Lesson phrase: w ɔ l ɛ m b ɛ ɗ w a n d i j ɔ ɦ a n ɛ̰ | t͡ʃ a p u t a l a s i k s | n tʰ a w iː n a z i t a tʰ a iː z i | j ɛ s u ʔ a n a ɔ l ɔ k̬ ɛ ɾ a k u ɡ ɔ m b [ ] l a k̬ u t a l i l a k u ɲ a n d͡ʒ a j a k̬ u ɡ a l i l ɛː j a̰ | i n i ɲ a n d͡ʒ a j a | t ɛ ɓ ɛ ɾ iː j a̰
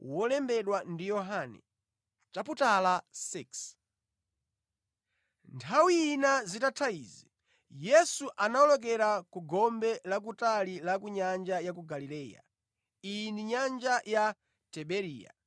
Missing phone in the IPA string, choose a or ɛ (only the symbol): ɛ